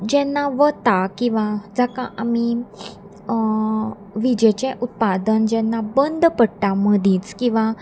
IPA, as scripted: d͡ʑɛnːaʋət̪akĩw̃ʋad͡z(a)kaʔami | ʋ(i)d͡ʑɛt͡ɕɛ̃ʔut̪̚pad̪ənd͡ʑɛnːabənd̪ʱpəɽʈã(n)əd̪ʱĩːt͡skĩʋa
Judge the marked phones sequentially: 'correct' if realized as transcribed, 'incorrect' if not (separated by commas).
correct, correct, incorrect